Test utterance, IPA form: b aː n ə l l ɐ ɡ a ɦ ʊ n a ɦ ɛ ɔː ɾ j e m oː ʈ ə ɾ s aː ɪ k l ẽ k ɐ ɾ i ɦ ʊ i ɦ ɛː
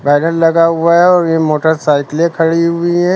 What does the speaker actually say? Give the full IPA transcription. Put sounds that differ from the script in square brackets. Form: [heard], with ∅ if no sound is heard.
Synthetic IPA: b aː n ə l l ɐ ɡ a ɦ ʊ [∅] a ɦ ɛ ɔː ɾ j e m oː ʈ ə ɾ s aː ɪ k l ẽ [kʰ] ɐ [ɽ] i ɦ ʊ i ɦ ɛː